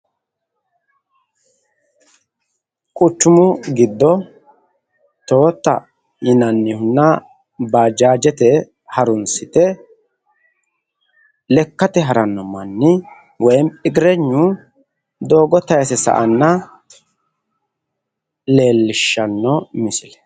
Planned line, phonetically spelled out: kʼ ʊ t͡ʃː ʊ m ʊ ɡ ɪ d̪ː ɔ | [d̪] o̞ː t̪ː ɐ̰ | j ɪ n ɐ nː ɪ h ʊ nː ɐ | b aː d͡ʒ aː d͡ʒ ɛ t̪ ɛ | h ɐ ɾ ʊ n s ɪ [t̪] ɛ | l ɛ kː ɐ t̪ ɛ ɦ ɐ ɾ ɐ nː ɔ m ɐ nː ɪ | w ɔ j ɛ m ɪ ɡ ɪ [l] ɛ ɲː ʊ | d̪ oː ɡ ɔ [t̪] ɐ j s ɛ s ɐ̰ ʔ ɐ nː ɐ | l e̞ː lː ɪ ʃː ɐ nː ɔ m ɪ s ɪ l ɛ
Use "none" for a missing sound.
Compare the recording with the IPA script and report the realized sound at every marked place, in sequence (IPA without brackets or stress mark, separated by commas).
t̪, t̪, ɾ, t̪